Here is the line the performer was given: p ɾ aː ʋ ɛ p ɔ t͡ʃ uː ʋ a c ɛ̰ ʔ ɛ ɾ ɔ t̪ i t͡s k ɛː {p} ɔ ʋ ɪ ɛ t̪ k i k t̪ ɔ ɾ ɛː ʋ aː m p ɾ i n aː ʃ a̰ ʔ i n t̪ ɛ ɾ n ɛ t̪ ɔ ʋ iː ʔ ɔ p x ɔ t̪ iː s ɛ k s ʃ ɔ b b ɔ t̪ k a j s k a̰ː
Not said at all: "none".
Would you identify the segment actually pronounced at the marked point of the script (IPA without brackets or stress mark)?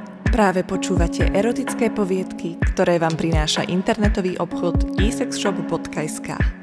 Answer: p